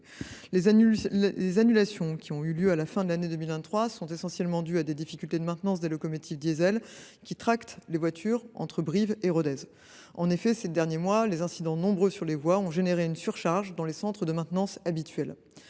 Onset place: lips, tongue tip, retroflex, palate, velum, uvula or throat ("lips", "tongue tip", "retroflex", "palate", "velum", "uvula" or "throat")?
tongue tip